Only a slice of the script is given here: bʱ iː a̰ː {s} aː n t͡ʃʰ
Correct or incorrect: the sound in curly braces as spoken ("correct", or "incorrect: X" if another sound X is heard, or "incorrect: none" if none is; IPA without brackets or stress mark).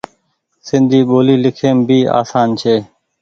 correct